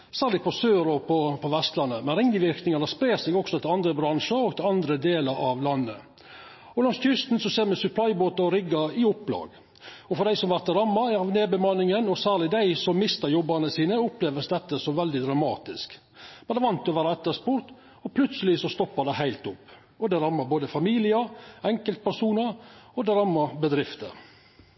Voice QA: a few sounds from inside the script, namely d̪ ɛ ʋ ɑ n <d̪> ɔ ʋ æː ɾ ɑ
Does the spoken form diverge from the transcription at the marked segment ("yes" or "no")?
yes